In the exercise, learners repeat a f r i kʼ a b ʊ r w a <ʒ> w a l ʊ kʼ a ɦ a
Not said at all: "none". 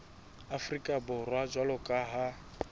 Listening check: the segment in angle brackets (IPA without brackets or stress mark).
d͡ʒ